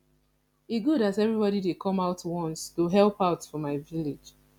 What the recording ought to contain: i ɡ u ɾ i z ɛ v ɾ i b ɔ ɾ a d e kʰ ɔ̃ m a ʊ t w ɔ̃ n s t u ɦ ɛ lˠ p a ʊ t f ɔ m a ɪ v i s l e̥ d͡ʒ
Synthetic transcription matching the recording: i ɡ u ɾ a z ɛ v ɹ i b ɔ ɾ i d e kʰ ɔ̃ m a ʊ t w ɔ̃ n s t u ɦ ɛ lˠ p a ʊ t f ɔ m a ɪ v i l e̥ d͡ʒ